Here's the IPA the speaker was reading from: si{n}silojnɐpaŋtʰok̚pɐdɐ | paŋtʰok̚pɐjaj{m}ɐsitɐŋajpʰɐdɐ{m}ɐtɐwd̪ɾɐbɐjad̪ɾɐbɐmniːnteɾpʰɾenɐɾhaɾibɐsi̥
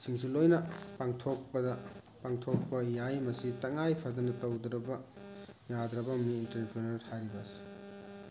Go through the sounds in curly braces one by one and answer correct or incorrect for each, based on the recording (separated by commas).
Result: incorrect, correct, incorrect